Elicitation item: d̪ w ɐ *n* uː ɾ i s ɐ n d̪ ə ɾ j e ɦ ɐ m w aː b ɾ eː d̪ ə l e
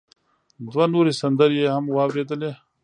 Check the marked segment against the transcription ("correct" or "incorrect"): correct